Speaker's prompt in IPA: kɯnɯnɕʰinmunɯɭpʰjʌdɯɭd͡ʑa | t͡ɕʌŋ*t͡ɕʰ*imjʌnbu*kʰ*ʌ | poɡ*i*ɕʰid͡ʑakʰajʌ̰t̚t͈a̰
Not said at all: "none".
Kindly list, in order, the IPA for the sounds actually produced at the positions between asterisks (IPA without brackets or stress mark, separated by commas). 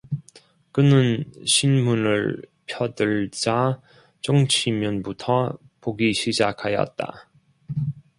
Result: t͡ɕʰ, tʰ, i